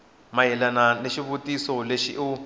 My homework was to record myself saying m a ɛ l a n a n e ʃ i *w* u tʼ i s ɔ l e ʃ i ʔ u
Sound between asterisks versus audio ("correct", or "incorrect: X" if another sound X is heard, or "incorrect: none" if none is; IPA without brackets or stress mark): incorrect: β